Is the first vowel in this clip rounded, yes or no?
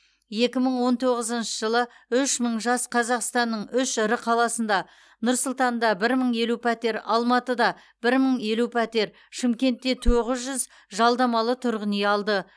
no